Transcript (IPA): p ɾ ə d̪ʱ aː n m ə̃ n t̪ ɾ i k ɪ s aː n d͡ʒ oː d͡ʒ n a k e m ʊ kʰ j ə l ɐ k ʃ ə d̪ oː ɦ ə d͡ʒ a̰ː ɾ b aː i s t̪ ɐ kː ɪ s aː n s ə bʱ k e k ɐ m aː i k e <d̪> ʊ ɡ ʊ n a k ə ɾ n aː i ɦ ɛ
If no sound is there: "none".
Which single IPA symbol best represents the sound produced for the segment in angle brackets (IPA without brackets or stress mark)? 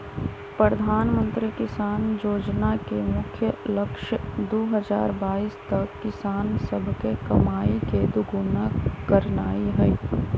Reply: d̪